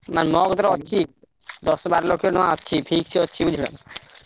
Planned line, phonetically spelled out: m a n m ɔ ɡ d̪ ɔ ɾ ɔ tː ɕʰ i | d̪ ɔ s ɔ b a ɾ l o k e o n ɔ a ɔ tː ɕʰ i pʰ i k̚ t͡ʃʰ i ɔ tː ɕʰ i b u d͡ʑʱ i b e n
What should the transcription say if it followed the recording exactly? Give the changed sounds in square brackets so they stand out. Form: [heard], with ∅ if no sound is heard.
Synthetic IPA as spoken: m a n m ɔ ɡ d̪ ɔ ɾ ɔ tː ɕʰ i | d̪ ɔ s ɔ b a ɾ l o k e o n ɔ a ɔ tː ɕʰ i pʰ i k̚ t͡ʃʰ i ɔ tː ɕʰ i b u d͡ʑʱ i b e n